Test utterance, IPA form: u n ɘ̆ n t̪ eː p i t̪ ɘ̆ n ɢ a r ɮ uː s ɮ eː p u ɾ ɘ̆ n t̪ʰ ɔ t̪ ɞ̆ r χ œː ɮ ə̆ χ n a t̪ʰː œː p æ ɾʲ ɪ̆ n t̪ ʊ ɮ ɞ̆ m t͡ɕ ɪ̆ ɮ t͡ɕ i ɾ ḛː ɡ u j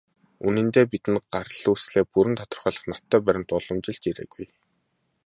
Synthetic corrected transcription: u n ɘ̆ n t̪ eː p i t̪ ɘ̆ n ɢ a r ɮ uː s ɮ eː p u ɾ ɘ̆ n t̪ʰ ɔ t̪ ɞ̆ r χ œː ɮ ə̆ χ n a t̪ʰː œː p æ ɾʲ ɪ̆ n t̪ ʊ ɮ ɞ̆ m t͡ɕ ɪ̆ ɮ t͡ɕ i ɾ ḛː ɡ u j